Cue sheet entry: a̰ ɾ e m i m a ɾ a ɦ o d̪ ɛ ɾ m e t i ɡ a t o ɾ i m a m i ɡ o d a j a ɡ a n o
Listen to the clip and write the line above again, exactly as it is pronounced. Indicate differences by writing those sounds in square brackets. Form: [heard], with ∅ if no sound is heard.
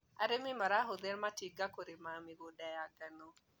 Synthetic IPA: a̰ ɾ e m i m a ɾ a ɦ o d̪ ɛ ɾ m [a] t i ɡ a [k] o ɾ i m a m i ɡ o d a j a ɡ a n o